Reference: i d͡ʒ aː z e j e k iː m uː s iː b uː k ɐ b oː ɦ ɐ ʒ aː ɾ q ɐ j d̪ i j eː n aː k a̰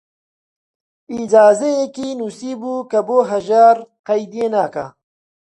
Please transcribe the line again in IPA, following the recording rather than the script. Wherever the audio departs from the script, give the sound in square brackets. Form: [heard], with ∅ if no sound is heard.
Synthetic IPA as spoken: i d͡ʒ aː z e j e k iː [n] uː s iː b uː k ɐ b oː ɦ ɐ ʒ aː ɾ q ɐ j d̪ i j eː n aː k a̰